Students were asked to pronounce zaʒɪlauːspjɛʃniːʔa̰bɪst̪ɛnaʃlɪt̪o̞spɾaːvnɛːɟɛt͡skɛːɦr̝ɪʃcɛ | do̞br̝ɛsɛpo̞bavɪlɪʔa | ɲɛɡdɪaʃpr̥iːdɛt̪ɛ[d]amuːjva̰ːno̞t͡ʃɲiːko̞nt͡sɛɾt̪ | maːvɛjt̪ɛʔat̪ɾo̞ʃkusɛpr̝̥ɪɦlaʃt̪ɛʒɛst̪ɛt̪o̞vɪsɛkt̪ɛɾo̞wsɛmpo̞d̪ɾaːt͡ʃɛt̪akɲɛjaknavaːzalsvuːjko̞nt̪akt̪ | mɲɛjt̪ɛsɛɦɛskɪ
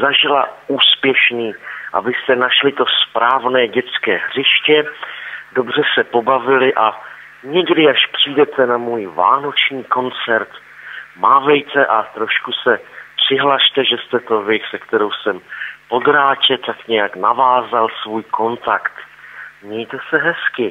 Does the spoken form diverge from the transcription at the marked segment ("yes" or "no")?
yes